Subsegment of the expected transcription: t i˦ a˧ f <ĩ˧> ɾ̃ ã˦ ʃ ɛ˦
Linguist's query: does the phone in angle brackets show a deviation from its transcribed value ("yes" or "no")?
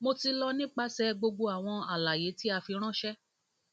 yes